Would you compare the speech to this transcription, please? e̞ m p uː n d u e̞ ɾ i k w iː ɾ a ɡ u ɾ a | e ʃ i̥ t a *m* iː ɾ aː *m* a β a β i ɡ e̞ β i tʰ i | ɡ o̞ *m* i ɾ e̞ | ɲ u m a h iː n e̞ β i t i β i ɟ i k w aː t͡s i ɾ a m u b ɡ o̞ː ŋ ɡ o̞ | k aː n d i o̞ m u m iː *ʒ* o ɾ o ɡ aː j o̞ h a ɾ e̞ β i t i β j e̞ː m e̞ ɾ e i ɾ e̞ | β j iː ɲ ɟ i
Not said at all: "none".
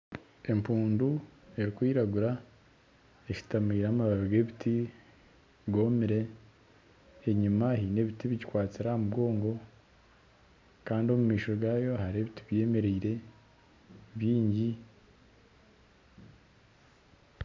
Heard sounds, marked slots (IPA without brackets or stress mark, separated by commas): m, m, m, ʃ